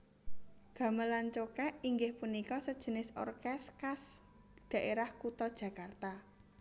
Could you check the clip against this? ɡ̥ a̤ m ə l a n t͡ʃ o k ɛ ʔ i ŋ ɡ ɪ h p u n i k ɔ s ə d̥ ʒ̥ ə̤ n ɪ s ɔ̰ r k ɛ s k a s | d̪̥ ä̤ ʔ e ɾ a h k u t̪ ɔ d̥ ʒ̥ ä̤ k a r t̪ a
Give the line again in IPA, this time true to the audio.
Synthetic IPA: ɡ̥ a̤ m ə l a n t͡ʃ o k ɛ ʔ i ŋ ɡ ɪ h p u n i k ɔ s ə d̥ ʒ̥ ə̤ n ɪ s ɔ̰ r k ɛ s k a s | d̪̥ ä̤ ʔ e ɾ a h k u t̪ ɔ d̥ ʒ̥ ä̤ k a r t̪ a